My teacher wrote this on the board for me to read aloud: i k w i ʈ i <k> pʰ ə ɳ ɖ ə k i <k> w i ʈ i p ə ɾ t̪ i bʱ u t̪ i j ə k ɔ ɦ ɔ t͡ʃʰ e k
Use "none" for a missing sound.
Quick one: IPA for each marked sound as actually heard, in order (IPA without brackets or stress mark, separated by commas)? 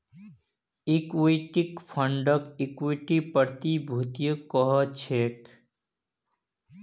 k, k